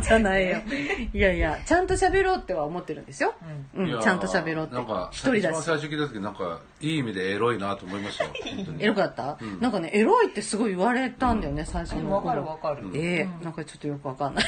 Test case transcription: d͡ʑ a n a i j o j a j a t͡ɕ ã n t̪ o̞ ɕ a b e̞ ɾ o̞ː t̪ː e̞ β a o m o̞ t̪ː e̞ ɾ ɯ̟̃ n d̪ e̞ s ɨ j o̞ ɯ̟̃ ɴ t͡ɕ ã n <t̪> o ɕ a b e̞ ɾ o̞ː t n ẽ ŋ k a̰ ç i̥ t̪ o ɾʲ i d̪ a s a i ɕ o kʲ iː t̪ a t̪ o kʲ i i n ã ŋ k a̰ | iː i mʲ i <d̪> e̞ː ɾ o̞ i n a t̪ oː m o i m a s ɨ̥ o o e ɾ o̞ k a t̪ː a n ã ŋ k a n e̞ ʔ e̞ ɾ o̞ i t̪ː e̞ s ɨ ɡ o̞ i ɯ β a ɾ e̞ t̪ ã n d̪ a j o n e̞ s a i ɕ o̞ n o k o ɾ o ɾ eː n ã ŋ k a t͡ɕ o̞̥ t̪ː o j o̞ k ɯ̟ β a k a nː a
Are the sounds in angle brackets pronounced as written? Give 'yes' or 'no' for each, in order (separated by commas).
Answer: yes, yes